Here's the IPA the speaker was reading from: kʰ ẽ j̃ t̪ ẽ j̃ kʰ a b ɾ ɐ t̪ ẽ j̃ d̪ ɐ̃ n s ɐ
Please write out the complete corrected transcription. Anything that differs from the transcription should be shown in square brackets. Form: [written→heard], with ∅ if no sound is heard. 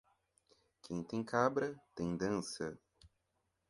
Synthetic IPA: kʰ ẽ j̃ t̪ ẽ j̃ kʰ a b ɾ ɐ t̪ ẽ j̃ d̪ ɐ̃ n s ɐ